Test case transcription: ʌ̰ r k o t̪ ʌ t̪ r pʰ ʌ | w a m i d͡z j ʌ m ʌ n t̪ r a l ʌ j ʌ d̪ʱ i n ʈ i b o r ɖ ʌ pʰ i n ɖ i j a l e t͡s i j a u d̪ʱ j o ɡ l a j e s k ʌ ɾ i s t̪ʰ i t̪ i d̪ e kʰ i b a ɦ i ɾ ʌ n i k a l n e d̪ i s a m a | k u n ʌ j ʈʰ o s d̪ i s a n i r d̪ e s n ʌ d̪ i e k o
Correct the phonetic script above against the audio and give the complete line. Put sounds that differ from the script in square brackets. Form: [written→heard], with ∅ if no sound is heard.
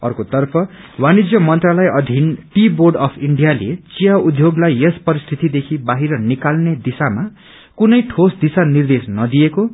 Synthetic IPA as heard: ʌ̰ r k o t̪ ʌ [t̪→∅] r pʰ ʌ | w a [m→n] i d͡z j ʌ m ʌ n t̪ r a l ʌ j ʌ d̪ʱ i n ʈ i b o r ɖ ʌ pʰ i [n→ɳ] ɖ i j a l e t͡s i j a u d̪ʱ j o ɡ l a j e s [k→p] ʌ ɾ i s t̪ʰ i t̪ i d̪ e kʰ i b a ɦ i ɾ ʌ n i k a l n e d̪ i s a m a | k u n ʌ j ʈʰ o s d̪ i s a n i r d̪ e s n ʌ d̪ i e k o